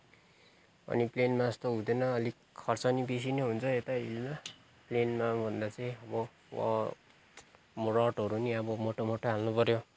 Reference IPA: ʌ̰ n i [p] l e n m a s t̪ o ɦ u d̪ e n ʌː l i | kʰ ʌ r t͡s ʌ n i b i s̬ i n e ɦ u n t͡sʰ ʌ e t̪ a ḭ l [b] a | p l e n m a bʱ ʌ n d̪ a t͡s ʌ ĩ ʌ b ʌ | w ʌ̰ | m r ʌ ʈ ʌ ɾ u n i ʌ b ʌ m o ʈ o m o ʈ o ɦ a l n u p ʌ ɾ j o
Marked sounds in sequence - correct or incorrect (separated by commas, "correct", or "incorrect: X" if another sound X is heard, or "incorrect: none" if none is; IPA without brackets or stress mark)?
correct, incorrect: m